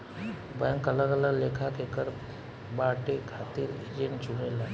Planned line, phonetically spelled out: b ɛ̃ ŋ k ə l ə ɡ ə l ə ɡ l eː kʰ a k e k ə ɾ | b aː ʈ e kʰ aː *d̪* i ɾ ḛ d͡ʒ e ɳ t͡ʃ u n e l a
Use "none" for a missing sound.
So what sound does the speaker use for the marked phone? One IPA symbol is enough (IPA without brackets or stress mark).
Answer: t̪